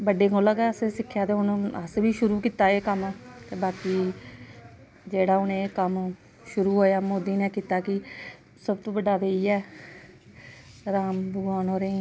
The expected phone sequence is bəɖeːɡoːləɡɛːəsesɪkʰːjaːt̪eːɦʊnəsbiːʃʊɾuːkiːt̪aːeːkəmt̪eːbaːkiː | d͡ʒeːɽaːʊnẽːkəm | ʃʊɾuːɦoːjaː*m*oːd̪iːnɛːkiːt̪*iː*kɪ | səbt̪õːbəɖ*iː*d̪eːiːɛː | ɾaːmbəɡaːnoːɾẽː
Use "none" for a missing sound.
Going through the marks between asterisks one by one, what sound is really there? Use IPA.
m, aː, aː

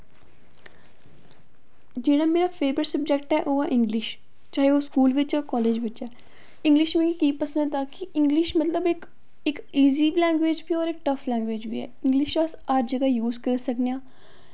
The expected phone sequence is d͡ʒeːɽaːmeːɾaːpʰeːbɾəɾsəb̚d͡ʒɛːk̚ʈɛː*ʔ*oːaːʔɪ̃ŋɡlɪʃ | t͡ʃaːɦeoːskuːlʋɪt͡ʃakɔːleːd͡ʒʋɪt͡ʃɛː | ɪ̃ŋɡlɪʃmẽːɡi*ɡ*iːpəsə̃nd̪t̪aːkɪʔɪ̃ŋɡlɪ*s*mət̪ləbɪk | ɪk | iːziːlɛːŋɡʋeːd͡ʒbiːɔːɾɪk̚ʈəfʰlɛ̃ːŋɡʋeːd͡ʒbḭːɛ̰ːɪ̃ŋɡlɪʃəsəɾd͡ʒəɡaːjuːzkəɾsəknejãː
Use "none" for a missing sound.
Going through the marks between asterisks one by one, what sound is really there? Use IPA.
ʔ, k, ʃ

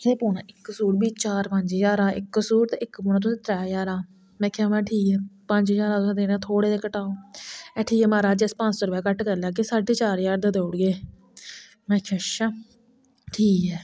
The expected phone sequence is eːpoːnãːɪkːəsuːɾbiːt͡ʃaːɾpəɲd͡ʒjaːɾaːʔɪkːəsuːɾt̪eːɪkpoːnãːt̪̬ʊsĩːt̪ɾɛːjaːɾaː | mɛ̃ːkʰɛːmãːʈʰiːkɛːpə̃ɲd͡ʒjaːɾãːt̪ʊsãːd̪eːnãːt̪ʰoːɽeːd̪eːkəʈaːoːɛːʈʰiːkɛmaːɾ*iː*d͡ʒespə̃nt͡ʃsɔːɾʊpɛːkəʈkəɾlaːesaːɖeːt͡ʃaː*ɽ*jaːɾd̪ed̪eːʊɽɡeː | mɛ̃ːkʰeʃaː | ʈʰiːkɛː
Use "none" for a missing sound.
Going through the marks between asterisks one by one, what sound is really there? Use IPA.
aː, ɾ

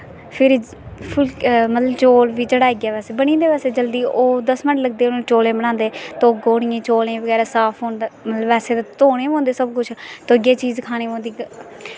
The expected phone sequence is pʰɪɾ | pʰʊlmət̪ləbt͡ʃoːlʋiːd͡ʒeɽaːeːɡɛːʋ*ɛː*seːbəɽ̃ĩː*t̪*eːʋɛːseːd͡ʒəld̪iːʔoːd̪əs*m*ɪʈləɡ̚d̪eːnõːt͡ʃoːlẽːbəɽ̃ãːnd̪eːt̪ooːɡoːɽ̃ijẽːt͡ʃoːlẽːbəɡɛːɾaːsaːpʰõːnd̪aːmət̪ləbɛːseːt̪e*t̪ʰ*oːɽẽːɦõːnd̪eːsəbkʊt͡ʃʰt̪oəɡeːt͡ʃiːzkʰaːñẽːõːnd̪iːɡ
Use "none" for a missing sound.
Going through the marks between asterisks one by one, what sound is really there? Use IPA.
ɛː, d̪, m, t̪

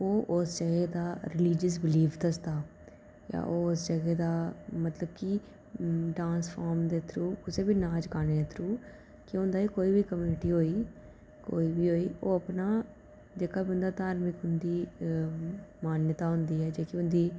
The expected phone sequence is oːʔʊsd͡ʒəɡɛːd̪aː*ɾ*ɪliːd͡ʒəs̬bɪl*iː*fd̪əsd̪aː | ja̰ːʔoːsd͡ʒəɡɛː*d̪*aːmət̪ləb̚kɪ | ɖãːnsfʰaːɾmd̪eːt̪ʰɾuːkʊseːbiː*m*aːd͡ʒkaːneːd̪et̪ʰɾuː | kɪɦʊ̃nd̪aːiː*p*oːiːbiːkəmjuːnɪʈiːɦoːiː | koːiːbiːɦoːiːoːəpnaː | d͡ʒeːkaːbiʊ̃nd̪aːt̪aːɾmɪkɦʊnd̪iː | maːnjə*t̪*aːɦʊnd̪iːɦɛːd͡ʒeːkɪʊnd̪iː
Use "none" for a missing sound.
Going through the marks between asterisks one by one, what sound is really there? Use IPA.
ɾ, iː, d̪, n, k, t̪

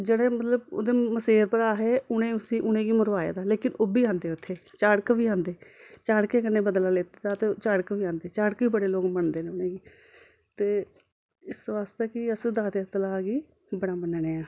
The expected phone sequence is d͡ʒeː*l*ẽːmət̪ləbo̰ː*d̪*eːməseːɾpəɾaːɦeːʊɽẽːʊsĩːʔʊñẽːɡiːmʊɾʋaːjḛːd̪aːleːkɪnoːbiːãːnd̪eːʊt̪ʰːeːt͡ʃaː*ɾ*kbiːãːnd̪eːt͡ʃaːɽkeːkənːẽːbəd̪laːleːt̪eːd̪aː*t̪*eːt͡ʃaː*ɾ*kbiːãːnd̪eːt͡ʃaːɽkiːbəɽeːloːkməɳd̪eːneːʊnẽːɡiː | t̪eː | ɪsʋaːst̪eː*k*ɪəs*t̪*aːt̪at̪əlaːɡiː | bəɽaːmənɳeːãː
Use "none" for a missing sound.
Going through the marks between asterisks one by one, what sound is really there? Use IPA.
ɽ, d̪, ɽ, t̪, ɽ, k, d̪

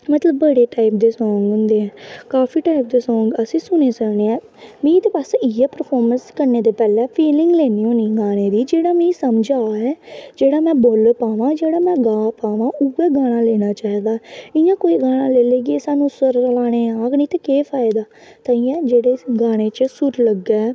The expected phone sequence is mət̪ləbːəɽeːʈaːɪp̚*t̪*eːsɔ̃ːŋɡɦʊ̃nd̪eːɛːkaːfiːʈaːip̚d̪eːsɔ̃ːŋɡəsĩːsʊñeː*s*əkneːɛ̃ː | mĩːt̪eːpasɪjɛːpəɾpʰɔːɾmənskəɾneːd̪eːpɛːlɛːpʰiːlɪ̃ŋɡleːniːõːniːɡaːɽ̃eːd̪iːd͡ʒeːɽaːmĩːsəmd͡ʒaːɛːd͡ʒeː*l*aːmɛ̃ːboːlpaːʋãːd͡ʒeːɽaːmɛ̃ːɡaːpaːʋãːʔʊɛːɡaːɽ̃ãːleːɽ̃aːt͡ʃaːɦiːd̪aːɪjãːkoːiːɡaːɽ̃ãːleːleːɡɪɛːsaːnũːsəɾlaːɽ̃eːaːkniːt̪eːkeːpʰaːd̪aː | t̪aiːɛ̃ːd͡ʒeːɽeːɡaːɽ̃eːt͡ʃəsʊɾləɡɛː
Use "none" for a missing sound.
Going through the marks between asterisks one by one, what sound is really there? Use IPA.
d̪, s, ɽ

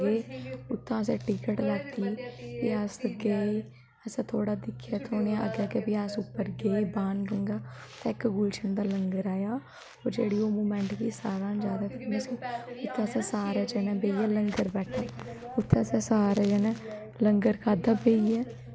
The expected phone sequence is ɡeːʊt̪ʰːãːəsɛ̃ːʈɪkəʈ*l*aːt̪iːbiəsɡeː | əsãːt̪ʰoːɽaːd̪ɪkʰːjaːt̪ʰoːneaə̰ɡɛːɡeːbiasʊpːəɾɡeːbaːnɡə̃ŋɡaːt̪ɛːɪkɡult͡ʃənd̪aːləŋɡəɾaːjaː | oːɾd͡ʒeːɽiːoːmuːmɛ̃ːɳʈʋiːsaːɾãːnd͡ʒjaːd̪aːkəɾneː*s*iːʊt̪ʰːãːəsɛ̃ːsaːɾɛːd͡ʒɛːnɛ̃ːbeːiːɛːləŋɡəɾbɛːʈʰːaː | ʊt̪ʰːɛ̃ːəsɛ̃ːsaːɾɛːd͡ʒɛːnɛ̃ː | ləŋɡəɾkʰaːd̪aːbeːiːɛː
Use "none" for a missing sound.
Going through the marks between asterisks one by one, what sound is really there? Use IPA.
l, s

